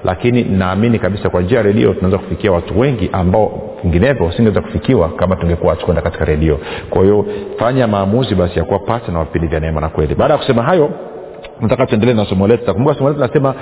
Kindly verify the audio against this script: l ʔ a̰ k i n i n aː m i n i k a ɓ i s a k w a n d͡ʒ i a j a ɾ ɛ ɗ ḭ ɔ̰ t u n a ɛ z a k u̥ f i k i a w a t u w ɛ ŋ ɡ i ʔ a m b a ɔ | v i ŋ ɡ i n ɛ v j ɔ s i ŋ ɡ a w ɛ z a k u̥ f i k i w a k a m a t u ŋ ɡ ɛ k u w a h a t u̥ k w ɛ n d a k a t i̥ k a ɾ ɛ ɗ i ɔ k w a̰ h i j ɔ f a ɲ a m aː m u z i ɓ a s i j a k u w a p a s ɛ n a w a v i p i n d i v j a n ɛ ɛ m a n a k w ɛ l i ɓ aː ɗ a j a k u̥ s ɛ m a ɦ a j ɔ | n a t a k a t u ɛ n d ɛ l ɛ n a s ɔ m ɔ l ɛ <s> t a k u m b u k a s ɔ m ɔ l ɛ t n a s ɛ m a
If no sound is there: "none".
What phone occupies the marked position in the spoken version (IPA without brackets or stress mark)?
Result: t